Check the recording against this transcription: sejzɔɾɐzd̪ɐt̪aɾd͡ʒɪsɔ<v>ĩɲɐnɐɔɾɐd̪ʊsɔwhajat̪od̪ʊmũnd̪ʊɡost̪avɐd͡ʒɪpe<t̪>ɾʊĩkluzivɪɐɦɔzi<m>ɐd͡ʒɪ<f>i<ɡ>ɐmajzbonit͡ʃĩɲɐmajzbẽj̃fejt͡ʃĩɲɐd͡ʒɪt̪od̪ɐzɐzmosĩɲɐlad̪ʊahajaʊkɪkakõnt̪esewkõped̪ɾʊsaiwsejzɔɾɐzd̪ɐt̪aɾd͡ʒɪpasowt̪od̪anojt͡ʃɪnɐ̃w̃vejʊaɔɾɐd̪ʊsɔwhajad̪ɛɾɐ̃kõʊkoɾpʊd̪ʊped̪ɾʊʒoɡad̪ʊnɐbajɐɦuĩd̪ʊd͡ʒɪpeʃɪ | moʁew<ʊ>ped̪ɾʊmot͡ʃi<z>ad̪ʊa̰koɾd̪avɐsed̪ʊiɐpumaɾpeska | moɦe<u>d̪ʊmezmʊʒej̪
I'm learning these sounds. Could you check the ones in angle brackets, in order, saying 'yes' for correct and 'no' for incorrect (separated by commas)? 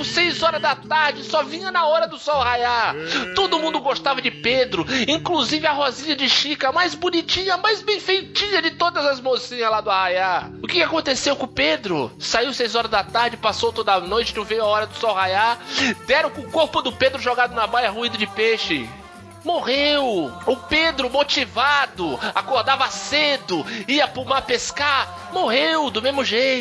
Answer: yes, no, no, no, no, yes, no, no